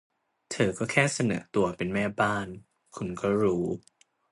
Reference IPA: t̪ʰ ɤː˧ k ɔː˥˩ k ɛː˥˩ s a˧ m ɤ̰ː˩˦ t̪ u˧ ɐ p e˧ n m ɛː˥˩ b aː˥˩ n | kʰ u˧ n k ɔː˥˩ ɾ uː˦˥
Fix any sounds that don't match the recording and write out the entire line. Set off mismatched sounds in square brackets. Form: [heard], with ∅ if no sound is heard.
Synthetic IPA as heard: t̪ʰ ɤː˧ k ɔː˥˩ [kʰ] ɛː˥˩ s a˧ [n] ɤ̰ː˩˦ t̪ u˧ ɐ p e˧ n m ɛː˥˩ b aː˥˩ n | kʰ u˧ n k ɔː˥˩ ɾ uː˦˥